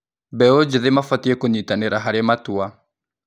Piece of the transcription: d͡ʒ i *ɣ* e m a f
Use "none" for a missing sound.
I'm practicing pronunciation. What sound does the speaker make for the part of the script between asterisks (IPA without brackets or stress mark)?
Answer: ð